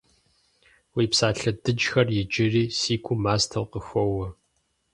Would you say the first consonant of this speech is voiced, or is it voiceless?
voiced